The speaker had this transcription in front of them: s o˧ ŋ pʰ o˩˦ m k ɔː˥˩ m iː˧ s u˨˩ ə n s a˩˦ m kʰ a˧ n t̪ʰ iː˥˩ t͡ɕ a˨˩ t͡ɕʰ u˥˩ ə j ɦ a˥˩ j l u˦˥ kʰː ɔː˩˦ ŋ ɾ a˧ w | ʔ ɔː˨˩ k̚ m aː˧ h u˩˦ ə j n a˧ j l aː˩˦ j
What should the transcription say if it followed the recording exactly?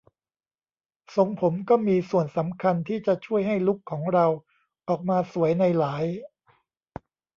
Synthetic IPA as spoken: s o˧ ŋ pʰ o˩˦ m k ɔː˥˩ m iː˧ s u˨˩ ə n s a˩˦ m kʰ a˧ n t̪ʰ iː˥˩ t͡ɕ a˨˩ t͡ɕʰ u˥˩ ə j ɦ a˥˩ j l u˦˥ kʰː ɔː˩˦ ŋ ɾ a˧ w | ʔ ɔː˨˩ k̚ m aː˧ s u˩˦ ə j n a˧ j l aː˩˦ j